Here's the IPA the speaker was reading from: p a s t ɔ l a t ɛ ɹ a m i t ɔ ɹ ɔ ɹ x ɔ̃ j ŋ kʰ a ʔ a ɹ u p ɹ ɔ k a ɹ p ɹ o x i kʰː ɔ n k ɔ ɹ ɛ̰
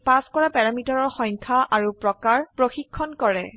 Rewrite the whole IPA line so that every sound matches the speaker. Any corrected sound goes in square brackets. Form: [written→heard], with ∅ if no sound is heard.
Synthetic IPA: p a s [t→k] ɔ [l→ɹ] a [t→p] ɛ ɹ a m i t ɔ ɹ ɔ ɹ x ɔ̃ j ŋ kʰ a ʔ a ɹ u p ɹ ɔ k a ɹ p ɹ o x i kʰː ɔ n k ɔ ɹ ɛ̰